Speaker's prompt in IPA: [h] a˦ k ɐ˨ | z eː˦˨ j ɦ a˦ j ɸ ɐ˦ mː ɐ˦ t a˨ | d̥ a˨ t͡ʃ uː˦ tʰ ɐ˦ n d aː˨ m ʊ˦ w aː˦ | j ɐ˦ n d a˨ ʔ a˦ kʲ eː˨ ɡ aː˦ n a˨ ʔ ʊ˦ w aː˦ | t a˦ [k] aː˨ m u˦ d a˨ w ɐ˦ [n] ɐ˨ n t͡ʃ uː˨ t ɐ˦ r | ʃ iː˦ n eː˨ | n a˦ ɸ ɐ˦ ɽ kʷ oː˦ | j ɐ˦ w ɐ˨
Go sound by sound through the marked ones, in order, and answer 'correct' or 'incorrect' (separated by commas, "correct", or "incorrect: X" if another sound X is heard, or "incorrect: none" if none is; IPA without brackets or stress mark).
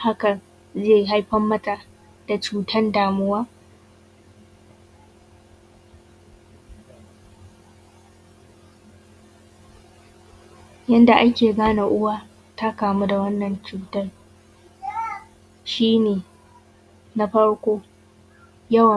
correct, correct, incorrect: nː